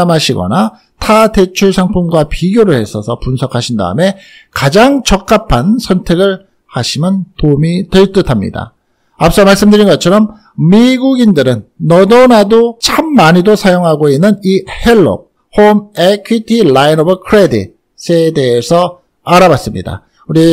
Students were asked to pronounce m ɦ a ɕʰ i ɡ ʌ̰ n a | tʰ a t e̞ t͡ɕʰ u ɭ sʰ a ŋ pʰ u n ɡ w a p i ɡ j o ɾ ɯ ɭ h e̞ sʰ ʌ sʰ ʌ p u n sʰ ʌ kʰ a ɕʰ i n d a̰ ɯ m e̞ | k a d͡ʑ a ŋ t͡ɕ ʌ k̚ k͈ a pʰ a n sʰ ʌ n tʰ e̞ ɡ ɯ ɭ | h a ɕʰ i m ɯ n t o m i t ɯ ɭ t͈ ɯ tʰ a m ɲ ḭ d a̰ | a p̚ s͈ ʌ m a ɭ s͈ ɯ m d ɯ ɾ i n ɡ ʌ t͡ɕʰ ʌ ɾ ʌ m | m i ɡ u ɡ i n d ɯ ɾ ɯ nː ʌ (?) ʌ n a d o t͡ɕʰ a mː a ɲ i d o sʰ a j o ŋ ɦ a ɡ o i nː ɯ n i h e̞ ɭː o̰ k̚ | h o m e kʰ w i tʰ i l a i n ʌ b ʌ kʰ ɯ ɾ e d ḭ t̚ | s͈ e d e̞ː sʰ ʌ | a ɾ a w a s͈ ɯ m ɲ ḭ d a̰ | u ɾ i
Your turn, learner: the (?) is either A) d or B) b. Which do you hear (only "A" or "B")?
A